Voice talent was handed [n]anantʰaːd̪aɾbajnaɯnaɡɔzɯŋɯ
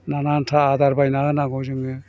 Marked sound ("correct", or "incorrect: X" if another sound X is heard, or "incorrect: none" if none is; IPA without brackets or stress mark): correct